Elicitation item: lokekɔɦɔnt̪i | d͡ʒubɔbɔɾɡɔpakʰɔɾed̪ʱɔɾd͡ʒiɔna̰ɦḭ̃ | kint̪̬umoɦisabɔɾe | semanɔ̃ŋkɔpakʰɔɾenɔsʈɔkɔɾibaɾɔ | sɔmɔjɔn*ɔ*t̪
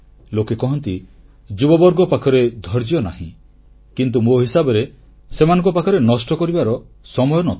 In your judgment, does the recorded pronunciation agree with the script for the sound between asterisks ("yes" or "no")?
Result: yes